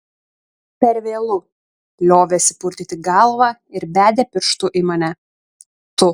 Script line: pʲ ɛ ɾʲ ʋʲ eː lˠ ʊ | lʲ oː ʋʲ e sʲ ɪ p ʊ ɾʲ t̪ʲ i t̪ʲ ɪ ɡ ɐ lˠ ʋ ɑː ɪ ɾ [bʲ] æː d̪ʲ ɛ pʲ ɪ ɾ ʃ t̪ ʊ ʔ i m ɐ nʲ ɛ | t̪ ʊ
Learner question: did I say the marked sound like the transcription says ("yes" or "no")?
yes